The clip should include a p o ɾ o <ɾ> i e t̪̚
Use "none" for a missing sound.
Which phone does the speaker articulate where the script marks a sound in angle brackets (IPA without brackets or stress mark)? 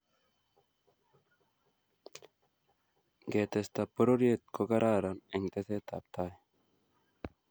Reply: ɾ